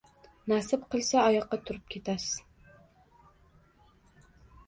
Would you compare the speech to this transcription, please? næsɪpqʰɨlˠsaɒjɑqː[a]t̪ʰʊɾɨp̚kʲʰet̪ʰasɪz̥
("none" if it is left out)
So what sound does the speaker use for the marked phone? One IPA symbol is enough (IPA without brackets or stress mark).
ɑ